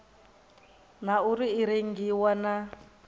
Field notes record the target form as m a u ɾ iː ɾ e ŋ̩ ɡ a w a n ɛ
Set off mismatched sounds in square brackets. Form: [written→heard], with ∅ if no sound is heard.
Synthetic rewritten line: [m→n] a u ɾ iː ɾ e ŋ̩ ɡ [a→i] w a n [ɛ→a]